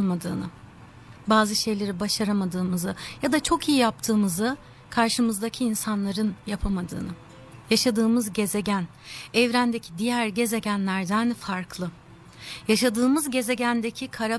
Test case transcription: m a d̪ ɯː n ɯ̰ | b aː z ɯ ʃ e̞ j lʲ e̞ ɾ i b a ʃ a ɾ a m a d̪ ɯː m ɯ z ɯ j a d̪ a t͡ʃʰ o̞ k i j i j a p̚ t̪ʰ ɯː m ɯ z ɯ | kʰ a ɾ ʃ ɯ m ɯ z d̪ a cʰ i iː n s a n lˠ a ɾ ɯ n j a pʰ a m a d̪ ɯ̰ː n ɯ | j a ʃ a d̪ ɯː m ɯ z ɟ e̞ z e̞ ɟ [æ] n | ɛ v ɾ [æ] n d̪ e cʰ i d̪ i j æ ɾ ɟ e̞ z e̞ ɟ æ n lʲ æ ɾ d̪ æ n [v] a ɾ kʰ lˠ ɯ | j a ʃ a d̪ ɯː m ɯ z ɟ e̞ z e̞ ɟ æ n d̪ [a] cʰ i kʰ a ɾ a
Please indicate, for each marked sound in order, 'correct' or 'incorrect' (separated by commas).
correct, correct, incorrect, incorrect